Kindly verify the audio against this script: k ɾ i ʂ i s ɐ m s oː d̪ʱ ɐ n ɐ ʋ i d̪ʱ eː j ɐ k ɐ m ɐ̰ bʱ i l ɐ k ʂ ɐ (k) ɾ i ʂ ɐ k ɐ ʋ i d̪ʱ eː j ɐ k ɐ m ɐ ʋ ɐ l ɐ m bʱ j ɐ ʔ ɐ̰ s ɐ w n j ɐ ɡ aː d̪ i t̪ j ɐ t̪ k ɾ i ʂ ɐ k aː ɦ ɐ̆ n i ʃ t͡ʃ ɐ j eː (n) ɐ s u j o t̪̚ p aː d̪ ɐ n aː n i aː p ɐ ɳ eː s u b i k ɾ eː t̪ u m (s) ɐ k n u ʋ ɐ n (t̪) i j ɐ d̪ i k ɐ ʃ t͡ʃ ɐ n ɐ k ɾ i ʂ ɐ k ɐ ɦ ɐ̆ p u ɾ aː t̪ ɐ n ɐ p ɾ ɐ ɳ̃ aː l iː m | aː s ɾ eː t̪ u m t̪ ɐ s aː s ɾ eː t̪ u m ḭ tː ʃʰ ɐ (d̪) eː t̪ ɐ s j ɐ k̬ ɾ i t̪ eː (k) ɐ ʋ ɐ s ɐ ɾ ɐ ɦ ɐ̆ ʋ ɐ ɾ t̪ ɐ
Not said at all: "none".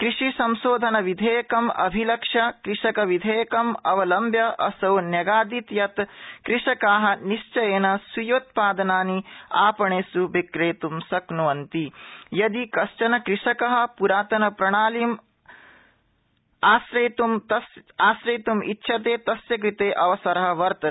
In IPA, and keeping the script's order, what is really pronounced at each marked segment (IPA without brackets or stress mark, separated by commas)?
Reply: k, n, s, t̪, t̪, ʔ